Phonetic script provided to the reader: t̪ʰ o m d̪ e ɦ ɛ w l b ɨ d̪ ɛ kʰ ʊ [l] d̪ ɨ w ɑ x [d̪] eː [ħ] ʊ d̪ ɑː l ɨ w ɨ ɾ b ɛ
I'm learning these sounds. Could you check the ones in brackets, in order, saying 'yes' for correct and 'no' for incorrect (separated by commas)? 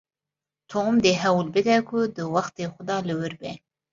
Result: no, no, no